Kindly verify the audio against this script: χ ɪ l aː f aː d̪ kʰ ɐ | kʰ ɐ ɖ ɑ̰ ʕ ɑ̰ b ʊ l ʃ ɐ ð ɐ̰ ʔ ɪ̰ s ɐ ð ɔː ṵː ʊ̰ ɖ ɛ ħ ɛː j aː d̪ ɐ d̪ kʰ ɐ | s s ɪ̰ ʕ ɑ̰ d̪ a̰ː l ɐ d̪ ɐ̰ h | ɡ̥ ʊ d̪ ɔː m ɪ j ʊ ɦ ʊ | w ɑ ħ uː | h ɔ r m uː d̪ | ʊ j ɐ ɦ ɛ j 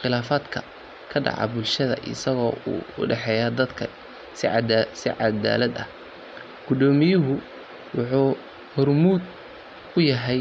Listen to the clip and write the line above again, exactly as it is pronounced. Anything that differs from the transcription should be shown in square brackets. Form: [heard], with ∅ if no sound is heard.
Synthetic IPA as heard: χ ɪ l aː f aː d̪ kʰ ɐ | kʰ ɐ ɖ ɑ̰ ʕ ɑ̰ b ʊ l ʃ ɐ ð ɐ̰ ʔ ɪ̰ s ɐ [ɣ] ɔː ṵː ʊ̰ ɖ ɛ ħ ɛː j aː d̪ ɐ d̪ kʰ ɐ | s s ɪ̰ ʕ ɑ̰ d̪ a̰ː l ɐ d̪ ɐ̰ h | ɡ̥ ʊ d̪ ɔː m ɪ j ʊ ɦ ʊ | w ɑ ħ uː | h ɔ r m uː d̪ | ʊ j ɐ ɦ ɛ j